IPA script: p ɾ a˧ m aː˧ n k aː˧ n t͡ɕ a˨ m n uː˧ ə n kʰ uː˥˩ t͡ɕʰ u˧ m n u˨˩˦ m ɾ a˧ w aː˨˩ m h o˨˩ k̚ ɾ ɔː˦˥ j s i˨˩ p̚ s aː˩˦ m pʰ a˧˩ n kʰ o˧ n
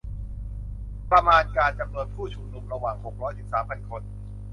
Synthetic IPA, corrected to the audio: p ɾ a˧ m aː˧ n k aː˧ n t͡ɕ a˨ m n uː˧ ə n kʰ uː˥˩ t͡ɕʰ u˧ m n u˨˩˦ m ɾ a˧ w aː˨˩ ŋ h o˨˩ k̚ ɾ ɔː˦˥ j s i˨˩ p̚ s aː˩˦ m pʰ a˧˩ n kʰ o˧ n